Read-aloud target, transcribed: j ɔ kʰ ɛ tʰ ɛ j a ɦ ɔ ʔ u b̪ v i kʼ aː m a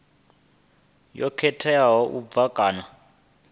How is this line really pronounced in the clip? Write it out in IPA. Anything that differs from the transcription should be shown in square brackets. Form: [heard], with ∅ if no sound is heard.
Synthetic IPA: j ɔ kʰ ɛ tʰ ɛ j a ɦ ɔ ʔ u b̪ v [a] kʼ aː [n] a